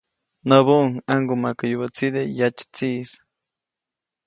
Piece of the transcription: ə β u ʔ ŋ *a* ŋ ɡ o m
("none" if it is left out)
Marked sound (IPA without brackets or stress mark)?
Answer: a